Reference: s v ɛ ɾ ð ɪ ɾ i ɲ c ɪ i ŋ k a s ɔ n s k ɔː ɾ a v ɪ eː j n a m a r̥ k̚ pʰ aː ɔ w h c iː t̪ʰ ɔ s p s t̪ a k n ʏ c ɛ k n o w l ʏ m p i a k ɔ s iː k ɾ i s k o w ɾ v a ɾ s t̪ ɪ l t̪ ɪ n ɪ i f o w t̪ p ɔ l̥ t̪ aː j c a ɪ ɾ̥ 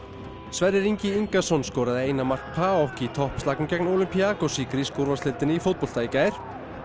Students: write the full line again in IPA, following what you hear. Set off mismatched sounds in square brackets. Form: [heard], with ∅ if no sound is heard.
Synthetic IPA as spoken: s v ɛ ɾ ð ɪ ɾ i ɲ c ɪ i ŋ k a s ɔ n s k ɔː ɾ a [ð] ɪ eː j n a m a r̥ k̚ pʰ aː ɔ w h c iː t̪ʰ ɔ [h] p s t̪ a k n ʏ c ɛ k n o w l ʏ m p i a k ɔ s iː k ɾ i s k o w ɾ v a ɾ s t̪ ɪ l t̪ ɪ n ɪ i f o w t̪ p ɔ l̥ t̪ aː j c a ɪ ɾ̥